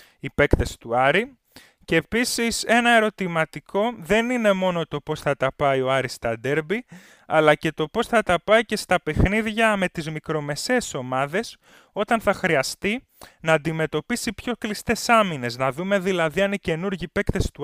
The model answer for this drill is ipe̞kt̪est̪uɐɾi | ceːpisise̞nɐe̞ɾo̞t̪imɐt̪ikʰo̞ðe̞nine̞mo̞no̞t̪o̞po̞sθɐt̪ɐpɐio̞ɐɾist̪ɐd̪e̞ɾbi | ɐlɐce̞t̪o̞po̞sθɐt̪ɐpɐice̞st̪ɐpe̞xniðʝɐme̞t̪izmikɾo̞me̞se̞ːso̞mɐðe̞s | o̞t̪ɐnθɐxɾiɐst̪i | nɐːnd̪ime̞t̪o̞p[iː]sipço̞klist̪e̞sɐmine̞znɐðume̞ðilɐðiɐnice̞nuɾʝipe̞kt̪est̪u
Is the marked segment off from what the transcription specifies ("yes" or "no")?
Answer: yes